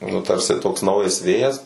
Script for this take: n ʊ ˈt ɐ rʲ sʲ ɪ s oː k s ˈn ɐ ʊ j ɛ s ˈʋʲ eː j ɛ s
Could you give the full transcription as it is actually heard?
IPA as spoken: n ʊ ˈt ɐ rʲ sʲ ɪ t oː k s ˈn ɐ ʊ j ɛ s ˈʋʲ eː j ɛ s